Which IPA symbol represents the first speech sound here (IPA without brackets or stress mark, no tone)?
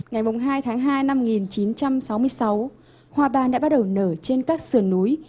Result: ŋ